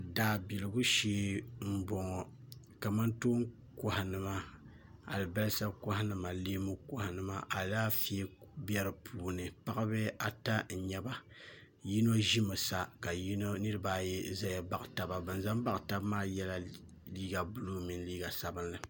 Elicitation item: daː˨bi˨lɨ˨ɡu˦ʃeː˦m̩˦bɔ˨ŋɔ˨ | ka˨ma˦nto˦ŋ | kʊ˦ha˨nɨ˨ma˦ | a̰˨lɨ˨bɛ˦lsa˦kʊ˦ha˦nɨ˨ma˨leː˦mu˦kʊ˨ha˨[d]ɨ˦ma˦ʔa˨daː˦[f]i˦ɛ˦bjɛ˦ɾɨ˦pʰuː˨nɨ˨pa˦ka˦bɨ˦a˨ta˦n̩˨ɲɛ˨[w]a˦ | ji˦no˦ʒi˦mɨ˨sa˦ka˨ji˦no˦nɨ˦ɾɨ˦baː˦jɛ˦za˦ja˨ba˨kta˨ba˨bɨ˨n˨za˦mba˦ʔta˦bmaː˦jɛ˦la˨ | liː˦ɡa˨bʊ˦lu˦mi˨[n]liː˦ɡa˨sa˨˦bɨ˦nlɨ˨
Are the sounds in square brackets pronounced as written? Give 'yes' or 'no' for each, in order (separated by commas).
no, yes, no, yes